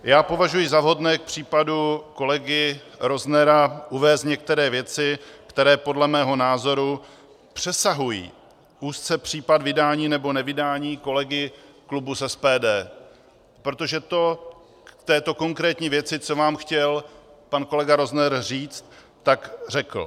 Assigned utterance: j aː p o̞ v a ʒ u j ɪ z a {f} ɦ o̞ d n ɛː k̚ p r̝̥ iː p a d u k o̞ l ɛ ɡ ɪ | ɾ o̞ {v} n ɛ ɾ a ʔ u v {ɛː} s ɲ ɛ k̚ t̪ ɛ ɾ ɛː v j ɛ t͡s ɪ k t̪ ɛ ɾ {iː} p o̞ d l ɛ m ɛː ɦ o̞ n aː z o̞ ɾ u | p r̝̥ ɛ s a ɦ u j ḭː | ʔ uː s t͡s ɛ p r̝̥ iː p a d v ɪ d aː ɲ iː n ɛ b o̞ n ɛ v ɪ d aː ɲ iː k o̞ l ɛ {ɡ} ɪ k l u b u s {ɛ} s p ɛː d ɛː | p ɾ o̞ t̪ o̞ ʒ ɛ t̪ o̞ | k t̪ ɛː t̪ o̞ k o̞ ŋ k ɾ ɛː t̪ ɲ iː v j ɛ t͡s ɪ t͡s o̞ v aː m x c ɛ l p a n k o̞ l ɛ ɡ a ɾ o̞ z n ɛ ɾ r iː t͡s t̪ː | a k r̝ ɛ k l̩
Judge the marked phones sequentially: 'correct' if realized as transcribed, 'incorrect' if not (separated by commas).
incorrect, incorrect, correct, incorrect, correct, correct